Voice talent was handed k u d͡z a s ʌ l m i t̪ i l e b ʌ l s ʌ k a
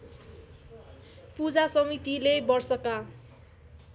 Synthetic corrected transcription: p u d͡z a s ʌ m i t̪ i l e b ʌ r s ʌ k a